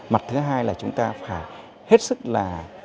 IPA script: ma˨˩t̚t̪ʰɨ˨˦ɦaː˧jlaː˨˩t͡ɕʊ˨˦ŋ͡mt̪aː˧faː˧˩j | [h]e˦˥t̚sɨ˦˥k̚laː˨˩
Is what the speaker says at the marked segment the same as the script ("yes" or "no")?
yes